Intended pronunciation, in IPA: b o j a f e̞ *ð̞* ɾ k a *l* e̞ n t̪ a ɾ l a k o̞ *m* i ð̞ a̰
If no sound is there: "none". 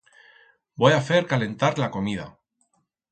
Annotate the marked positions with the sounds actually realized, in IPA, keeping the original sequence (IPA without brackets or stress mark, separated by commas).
none, l, m